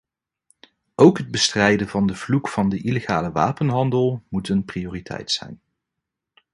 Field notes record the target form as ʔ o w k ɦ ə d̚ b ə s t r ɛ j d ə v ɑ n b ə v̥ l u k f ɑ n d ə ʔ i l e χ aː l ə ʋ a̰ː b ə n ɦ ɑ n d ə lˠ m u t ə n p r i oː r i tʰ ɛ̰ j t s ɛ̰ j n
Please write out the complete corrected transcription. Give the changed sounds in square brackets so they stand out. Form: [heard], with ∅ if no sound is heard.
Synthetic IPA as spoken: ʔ o w k ɦ ə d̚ b ə s t r ɛ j d ə v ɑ n [d] ə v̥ l u k f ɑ n d ə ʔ i l e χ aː l ə ʋ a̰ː [p] ə n ɦ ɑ n d ə lˠ m u t ə n p r i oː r i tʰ ɛ̰ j t s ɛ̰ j n